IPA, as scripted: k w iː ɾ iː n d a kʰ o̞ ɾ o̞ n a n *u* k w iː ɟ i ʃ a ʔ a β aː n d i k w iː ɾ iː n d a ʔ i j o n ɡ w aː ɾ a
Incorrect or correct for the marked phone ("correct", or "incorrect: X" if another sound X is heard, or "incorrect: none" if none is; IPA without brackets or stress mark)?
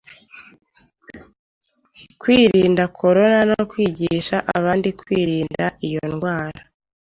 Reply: incorrect: o